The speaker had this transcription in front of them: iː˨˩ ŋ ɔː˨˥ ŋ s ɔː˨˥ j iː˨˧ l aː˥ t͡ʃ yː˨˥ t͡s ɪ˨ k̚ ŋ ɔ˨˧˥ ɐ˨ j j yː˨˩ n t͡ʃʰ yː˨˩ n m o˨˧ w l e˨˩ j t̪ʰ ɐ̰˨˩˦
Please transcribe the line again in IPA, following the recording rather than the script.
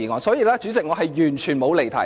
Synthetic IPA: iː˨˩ ŋ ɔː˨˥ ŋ s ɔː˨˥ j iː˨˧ l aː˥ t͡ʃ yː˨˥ t͡s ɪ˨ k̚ ŋ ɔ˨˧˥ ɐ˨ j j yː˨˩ n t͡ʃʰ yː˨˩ n m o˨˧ w l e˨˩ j t̪ʰ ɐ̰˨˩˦